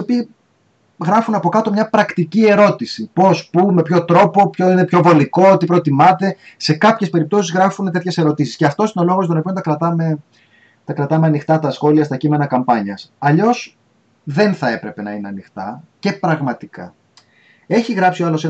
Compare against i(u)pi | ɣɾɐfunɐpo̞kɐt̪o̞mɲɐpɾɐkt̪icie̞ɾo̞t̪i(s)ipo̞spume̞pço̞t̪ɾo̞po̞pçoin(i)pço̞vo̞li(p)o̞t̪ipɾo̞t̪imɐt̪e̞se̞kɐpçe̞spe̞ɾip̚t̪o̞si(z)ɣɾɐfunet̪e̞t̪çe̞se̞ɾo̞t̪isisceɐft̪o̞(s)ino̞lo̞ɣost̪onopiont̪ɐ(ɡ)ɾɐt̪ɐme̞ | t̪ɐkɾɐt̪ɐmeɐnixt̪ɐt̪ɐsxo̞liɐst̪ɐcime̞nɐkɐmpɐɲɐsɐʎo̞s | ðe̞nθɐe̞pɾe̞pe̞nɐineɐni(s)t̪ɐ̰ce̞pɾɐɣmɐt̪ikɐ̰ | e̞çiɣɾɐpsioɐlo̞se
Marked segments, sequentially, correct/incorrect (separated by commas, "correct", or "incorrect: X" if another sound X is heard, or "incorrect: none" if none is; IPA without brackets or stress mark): incorrect: o, correct, incorrect: e, incorrect: k, correct, correct, incorrect: k, incorrect: x